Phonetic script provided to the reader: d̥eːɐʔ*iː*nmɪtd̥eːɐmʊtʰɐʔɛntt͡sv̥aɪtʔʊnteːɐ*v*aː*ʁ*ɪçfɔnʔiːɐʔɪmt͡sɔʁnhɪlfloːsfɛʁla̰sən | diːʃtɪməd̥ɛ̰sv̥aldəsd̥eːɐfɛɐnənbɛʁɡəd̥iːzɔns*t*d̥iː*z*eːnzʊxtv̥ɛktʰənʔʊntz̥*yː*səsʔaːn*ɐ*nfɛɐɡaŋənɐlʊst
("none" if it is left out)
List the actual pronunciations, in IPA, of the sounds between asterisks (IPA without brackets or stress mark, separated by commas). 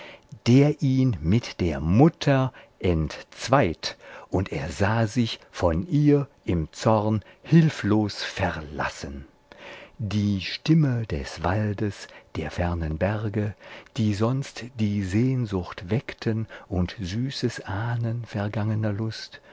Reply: iː, z, z, t, z, yː, ə